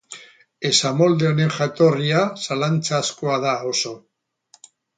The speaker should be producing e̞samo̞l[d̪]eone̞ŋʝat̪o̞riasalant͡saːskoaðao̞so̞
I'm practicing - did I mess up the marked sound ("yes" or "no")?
no